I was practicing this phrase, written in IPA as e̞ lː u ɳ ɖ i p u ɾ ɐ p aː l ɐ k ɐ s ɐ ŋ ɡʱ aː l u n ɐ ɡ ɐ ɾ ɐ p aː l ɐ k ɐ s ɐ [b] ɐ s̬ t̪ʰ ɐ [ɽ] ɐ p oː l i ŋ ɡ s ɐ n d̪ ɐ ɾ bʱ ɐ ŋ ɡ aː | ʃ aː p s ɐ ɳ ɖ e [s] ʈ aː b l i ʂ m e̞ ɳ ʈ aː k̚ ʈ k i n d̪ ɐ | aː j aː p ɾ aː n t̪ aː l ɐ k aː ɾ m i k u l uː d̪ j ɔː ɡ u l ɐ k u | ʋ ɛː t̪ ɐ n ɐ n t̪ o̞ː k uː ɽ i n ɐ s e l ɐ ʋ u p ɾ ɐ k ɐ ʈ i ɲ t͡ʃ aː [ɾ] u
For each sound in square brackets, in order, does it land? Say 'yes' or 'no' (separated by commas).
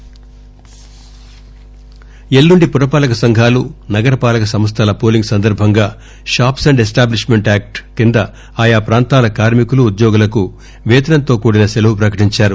no, no, yes, yes